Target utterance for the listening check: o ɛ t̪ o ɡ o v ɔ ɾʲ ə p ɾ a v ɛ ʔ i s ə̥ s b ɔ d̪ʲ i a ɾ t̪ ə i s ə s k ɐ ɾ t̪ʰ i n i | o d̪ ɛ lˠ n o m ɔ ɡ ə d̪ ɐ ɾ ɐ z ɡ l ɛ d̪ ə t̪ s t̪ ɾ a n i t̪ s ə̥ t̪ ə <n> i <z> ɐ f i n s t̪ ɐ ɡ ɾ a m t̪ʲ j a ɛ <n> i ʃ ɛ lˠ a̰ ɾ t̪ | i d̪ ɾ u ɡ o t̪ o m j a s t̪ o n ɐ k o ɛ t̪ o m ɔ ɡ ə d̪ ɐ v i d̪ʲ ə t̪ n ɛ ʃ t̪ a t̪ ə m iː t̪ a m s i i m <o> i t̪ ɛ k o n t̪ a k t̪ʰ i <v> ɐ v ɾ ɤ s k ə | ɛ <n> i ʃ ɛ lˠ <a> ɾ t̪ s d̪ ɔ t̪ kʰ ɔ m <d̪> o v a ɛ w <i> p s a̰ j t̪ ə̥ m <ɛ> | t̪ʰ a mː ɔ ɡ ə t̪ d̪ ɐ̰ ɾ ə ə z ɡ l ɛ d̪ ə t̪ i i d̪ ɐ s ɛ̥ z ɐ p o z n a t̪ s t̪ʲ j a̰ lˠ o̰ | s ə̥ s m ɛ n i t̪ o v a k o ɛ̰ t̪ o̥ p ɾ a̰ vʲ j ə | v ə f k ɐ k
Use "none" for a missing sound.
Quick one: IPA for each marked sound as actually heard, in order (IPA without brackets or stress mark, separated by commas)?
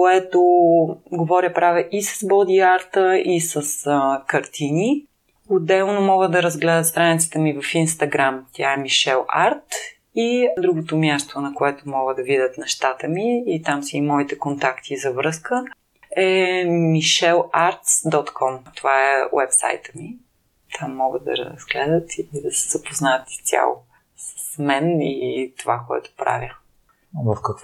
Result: m, v, m, ɔ, z, m, a, t̪, ɛ, i